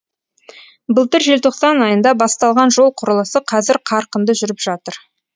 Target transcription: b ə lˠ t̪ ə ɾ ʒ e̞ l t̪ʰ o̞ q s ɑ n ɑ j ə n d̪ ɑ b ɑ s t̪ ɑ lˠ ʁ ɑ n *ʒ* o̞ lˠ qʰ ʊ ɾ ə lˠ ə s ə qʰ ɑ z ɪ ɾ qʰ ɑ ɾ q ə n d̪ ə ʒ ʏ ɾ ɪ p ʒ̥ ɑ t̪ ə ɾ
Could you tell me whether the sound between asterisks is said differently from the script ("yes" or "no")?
no